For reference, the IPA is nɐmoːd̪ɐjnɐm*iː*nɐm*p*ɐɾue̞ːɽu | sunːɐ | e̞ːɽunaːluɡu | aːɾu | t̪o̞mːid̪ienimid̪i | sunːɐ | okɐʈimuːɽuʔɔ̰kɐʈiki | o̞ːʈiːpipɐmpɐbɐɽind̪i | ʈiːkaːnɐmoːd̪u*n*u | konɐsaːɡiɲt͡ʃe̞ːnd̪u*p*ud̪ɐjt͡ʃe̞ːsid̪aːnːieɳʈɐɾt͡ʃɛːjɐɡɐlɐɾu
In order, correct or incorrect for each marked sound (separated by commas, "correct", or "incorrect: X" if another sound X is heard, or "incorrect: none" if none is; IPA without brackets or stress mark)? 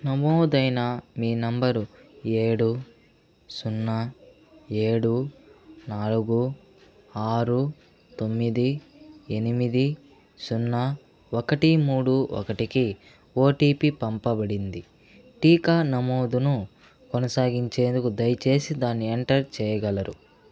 correct, incorrect: b, correct, incorrect: k